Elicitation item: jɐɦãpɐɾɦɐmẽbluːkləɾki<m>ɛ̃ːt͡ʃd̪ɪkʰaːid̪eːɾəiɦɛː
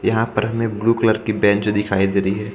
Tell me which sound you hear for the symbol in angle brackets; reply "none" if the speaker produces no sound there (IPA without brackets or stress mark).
b